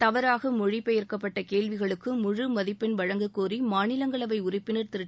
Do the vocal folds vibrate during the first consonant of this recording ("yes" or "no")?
no